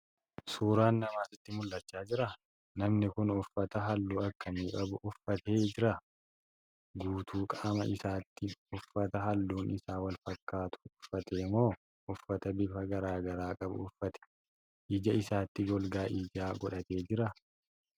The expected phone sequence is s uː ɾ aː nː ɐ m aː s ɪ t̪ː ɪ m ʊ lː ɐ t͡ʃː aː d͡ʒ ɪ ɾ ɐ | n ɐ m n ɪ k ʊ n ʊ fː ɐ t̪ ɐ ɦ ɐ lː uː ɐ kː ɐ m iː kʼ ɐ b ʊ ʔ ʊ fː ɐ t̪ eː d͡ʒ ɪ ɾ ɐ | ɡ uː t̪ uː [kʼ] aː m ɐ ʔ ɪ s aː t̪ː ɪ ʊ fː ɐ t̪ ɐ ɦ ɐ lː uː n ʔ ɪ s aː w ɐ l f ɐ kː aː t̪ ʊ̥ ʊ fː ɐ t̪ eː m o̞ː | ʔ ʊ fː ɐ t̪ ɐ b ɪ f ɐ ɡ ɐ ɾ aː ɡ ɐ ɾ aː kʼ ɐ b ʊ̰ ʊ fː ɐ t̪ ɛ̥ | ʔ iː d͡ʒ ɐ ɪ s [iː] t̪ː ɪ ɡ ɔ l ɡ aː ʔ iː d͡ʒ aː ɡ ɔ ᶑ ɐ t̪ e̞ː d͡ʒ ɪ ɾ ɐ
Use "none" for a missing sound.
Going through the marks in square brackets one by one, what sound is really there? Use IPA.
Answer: kʼ, aː

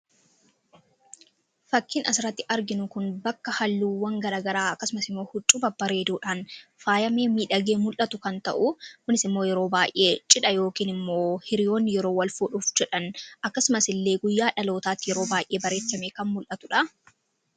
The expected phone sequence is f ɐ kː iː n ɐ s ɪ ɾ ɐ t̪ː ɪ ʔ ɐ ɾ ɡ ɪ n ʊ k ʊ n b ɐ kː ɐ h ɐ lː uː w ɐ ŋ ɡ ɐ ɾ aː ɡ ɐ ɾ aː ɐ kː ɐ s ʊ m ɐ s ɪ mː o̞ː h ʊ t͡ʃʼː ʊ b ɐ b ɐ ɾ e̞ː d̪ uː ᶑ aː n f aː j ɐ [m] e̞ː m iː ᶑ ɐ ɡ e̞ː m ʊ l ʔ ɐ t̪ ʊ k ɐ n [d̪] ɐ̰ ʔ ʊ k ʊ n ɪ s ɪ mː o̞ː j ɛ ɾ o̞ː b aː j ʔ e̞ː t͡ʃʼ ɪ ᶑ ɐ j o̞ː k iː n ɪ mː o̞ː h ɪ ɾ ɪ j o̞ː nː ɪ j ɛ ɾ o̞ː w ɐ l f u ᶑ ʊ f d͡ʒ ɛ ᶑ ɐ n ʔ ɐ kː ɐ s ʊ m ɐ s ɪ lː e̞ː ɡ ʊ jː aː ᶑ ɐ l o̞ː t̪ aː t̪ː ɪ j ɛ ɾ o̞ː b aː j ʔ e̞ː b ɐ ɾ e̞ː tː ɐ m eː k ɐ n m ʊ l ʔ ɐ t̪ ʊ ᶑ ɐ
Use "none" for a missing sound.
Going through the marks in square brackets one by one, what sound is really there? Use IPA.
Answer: m, t̪

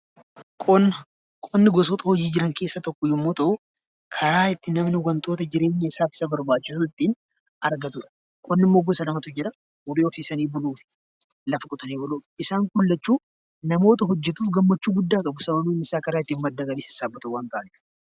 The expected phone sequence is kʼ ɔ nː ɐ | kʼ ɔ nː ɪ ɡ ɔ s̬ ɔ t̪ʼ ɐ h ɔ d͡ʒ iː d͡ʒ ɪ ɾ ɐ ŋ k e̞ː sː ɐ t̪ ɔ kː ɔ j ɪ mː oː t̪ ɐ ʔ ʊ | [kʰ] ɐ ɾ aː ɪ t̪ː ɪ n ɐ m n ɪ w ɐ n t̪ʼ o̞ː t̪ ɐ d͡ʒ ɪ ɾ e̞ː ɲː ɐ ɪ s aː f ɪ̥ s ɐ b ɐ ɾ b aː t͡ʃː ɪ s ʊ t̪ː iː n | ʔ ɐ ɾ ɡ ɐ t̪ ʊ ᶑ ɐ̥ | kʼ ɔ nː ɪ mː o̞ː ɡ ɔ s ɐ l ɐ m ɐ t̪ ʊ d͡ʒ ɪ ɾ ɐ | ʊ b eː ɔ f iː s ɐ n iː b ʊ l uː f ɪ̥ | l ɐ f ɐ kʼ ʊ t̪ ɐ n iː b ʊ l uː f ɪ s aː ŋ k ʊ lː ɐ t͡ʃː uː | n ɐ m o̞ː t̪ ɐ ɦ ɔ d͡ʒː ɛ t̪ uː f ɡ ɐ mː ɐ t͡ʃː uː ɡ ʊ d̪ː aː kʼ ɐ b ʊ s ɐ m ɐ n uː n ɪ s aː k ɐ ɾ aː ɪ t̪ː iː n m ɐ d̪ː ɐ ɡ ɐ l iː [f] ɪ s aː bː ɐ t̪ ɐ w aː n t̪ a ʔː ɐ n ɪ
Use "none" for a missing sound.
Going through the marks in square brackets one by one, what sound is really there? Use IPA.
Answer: kʰ, s

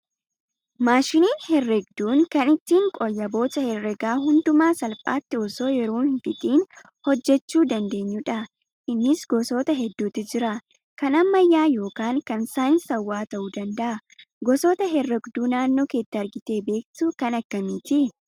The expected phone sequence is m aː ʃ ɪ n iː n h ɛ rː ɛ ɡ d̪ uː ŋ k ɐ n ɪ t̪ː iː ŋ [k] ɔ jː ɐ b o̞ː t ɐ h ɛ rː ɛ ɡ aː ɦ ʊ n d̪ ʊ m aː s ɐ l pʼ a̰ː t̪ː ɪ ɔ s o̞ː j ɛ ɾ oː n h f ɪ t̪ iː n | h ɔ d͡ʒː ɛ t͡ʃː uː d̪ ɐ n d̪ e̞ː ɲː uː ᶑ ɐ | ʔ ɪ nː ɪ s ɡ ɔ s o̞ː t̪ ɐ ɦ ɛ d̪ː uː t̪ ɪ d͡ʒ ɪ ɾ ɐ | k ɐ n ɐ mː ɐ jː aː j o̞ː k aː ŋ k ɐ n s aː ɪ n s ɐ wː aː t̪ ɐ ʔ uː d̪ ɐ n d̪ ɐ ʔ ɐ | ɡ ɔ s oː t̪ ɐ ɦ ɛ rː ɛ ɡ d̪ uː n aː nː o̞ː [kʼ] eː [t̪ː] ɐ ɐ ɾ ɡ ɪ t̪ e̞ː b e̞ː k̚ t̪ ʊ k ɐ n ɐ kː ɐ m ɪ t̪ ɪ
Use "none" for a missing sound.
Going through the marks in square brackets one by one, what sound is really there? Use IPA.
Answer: kʼ, k, t̪ː

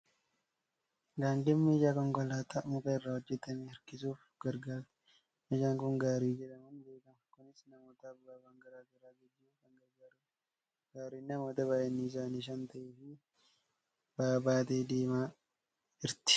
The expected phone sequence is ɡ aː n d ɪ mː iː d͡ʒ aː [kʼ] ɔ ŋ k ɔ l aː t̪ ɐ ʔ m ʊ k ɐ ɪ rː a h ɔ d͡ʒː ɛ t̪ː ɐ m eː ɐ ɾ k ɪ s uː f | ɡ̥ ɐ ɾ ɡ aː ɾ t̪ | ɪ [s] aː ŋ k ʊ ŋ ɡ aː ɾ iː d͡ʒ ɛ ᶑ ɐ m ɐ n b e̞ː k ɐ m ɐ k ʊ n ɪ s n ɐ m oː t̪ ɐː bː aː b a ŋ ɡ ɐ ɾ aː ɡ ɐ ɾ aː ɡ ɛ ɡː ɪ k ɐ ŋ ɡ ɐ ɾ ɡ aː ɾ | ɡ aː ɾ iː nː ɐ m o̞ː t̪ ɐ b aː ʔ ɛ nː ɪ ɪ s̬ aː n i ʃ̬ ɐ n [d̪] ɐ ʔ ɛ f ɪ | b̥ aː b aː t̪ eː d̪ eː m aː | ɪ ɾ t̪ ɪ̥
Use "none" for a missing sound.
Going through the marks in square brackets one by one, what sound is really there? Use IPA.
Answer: k, ʃ, t̪

